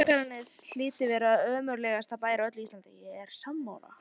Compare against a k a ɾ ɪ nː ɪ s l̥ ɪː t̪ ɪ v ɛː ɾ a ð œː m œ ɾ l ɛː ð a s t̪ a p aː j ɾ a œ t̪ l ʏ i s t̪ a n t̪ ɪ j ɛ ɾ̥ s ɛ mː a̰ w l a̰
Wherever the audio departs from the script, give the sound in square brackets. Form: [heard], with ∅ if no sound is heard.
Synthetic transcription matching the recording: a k a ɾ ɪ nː ɪ s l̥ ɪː t̪ ɪ v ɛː ɾ a ð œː m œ ɾ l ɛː [ɣ] a s t̪ a p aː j ɾ a œ t̪ l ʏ i s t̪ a n t̪ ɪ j ɛ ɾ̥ s [a] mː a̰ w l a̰